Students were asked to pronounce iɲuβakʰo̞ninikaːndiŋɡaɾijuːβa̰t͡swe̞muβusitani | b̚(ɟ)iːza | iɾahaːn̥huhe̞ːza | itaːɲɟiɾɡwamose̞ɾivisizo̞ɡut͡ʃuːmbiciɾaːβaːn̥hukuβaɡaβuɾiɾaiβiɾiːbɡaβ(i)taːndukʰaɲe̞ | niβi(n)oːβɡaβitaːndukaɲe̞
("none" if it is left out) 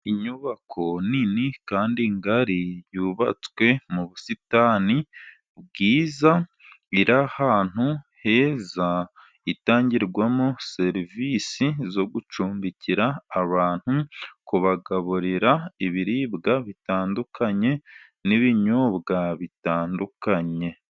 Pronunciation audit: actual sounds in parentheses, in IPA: ɡ, i, ɲ

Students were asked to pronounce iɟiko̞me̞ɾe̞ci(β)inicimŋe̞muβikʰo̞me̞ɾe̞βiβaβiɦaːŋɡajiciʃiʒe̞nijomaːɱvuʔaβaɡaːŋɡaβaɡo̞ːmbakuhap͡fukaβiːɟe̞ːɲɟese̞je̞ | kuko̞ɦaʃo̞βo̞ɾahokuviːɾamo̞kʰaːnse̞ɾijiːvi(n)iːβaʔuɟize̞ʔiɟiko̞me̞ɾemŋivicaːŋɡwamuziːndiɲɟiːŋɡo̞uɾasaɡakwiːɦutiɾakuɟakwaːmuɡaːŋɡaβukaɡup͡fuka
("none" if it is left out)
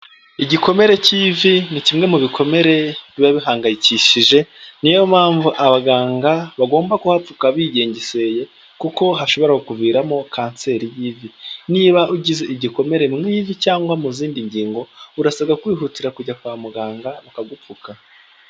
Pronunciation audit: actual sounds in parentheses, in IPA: v, n

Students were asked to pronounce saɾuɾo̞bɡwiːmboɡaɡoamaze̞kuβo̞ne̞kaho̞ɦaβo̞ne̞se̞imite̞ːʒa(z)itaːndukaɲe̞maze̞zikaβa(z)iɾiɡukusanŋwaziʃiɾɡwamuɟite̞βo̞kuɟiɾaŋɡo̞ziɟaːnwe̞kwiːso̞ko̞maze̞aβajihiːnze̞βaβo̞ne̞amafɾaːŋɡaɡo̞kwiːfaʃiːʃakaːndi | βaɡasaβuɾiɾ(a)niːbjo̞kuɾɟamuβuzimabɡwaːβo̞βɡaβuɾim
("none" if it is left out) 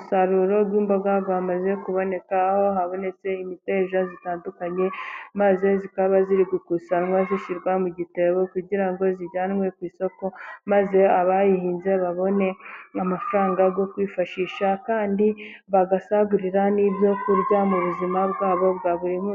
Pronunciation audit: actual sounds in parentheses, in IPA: z, z, a

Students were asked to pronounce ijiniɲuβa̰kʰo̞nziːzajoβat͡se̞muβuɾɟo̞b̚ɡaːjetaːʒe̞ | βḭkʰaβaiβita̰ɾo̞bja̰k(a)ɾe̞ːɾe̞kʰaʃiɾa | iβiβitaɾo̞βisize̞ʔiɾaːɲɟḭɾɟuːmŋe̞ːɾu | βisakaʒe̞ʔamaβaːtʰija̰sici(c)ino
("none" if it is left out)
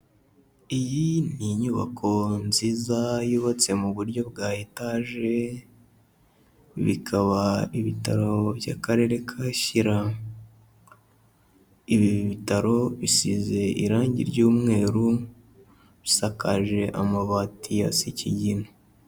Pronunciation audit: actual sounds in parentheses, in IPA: a, ɟ

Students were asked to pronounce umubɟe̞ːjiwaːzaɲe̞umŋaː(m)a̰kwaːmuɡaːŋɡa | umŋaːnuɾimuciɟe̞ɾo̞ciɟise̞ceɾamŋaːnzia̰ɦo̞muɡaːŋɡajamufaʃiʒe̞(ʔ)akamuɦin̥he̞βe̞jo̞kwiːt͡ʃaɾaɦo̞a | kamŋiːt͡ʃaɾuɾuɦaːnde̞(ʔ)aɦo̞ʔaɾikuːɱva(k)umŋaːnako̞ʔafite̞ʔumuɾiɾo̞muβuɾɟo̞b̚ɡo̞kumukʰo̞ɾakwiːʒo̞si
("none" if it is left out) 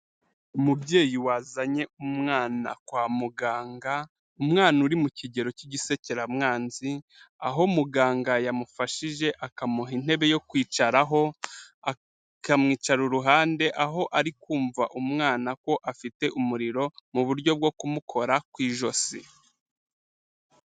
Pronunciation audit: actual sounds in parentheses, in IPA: n, ʔ, ʔ, ʔ

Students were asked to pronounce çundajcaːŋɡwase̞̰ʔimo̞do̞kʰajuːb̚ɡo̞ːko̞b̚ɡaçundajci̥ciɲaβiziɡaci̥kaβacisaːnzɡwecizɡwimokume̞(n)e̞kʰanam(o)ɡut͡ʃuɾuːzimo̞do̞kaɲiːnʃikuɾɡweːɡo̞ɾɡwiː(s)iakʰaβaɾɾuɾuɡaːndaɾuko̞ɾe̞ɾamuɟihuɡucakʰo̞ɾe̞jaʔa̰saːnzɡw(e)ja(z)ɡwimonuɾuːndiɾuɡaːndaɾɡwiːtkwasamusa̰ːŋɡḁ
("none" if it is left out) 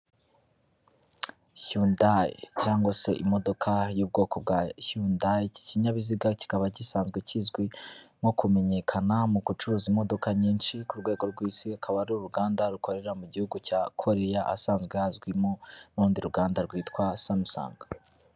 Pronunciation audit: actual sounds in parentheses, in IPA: ɲ, u, s, e, z

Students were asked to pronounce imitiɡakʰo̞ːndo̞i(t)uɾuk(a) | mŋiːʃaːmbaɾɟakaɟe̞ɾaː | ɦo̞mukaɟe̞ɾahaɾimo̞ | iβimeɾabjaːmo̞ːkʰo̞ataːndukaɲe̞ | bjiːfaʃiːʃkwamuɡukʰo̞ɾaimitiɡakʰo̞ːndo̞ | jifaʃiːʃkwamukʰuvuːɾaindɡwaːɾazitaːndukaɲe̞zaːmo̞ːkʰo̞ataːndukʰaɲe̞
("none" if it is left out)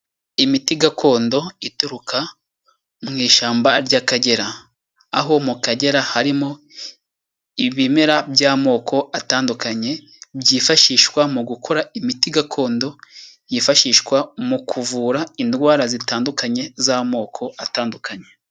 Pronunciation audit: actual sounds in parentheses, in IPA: t, a

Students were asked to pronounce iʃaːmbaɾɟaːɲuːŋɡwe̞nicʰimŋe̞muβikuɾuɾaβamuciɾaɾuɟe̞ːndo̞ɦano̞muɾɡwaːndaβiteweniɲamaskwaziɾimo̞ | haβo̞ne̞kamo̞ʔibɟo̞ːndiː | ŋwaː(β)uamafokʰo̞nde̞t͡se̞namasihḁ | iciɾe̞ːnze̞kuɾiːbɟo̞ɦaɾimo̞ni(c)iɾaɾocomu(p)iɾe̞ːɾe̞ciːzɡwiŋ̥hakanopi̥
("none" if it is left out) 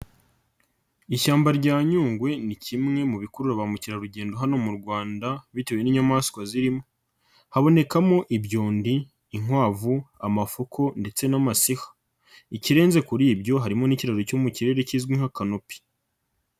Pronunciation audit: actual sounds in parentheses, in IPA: v, c, c

